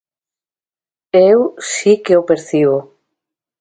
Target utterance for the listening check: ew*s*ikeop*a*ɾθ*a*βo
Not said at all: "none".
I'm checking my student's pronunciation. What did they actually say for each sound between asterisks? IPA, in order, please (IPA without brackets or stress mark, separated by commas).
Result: s, e, i